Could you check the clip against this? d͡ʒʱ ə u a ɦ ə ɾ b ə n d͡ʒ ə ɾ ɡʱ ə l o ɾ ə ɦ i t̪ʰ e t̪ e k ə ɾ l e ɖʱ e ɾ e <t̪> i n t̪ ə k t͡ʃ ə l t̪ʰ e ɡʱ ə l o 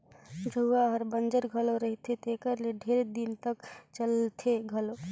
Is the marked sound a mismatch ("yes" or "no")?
yes